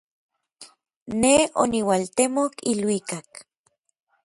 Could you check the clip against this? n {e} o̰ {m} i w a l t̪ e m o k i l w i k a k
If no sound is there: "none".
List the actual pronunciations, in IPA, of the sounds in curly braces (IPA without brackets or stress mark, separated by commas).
e, n